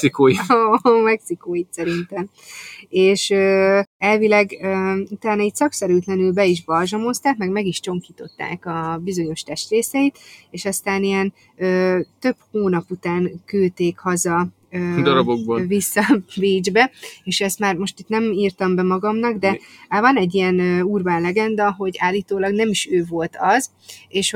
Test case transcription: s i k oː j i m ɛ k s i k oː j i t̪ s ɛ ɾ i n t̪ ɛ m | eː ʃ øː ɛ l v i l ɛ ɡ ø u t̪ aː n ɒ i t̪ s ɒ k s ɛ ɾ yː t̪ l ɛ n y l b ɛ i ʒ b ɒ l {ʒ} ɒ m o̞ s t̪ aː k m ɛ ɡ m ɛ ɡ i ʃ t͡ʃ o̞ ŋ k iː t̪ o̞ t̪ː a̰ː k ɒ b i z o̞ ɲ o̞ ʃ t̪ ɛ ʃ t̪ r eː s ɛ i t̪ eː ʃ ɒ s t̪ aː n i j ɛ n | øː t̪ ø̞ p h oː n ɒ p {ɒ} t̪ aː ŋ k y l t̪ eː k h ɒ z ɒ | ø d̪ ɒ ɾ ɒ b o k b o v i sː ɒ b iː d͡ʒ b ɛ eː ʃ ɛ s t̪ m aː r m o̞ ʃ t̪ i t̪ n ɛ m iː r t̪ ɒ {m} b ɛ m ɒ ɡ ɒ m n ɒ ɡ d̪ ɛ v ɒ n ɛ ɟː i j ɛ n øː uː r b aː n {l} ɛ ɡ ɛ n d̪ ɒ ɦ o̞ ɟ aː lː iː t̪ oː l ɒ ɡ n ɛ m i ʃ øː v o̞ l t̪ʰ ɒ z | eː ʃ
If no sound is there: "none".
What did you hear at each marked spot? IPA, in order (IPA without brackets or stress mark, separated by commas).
ʒ, u, m, l